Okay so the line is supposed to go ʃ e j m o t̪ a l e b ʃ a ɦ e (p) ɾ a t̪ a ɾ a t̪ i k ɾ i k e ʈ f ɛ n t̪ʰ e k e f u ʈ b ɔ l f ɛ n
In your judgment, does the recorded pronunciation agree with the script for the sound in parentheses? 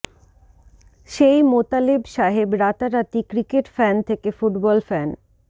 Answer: no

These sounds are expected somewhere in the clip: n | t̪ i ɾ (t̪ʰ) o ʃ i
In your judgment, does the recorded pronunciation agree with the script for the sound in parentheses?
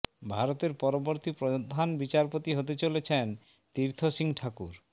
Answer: yes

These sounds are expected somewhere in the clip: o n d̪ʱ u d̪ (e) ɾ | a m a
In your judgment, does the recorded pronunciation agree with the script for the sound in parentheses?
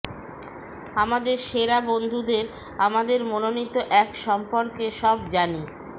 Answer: yes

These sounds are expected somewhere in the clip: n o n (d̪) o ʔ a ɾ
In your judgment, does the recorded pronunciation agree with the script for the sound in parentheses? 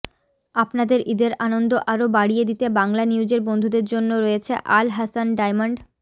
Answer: yes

